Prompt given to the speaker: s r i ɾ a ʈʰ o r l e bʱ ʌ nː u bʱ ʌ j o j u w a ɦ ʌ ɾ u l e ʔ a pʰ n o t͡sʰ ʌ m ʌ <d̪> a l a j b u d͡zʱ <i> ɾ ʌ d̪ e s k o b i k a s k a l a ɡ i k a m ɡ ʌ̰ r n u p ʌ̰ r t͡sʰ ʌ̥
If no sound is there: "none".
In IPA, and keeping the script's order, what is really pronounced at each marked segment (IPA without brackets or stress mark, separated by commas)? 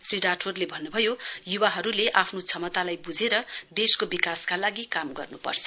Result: t̪, e